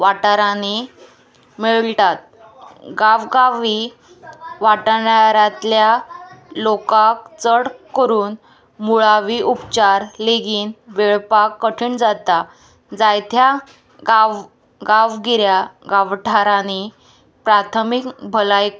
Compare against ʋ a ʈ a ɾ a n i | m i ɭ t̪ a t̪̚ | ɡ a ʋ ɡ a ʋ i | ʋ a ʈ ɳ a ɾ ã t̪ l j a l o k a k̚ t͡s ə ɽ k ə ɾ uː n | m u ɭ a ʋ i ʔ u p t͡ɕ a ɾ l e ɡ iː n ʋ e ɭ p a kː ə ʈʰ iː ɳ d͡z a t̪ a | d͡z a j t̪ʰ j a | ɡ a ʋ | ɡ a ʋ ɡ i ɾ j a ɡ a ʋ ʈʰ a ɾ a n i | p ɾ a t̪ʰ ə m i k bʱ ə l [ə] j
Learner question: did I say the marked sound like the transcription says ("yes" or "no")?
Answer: no